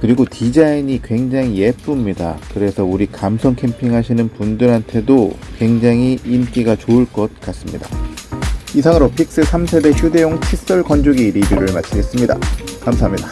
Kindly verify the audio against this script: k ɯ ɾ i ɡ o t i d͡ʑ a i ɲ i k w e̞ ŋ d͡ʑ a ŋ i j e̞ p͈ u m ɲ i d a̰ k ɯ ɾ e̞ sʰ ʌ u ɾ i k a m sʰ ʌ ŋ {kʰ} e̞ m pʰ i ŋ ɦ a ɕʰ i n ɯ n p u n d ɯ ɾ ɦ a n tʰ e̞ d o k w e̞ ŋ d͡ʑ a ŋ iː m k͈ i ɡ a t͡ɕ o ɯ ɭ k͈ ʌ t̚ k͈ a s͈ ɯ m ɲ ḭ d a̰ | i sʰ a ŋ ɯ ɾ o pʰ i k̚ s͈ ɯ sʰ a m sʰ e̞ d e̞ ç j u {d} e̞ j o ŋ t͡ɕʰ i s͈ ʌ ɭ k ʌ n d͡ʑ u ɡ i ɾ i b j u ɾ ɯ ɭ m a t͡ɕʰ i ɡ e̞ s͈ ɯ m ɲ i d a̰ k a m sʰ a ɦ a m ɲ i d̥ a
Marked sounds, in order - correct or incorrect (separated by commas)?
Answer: correct, correct